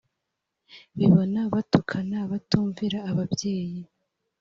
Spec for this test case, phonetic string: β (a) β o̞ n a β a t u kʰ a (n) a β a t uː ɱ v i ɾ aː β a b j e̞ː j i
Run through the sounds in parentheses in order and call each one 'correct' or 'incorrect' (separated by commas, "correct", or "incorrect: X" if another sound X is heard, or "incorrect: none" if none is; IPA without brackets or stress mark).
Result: incorrect: i, correct